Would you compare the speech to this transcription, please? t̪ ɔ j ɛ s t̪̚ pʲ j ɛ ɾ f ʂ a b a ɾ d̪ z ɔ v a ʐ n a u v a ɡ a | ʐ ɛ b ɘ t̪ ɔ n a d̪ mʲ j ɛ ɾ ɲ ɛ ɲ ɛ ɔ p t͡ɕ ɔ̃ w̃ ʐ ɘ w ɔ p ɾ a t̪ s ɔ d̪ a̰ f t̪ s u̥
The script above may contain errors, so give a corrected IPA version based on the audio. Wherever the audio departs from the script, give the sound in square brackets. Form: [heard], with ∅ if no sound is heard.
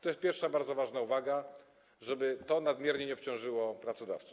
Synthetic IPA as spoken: t̪ ɔ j ɛ s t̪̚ pʲ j ɛ ɾ f ʂ a b a ɾ d̪ z ɔ v a ʐ n a u v a ɡ a | ʐ ɛ b ɘ t̪ ɔ n a d̪ mʲ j ɛ ɾ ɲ ɛ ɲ ɛ ɔ p t͡ɕ ɔ̃ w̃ ʐ ɘ w ɔ p ɾ a t̪ s ɔ d̪ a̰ f t̪ s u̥